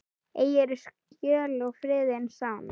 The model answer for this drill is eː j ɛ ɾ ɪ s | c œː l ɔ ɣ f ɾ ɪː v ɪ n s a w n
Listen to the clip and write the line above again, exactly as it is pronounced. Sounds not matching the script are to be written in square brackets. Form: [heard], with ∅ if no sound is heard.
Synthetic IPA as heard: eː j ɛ ɾ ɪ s | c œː l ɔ ɣ f ɾ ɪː [ð] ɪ n s a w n